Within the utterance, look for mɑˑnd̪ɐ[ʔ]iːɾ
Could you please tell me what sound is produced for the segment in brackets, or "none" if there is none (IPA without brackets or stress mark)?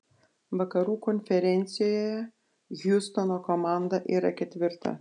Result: ʔ